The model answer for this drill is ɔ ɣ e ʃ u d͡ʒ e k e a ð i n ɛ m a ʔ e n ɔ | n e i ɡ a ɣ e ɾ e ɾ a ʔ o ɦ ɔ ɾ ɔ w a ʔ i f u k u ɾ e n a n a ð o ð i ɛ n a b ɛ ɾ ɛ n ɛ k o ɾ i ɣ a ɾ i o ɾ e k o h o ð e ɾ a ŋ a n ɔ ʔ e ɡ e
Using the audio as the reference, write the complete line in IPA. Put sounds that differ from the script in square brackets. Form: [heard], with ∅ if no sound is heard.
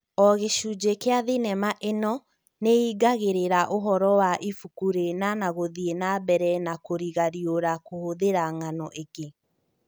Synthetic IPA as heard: ɔ ɣ e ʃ u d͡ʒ e k e a ð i n ɛ m a ʔ e n ɔ | n e i ɡ a ɣ e ɾ e ɾ a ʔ o ɦ ɔ ɾ ɔ w a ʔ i f u k u ɾ e n a n a [ɣ] o ð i [e] n a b ɛ ɾ ɛ n [a] k o ɾ i ɣ a ɾ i o ɾ [a] k o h o ð e ɾ a ŋ a n ɔ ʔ e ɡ e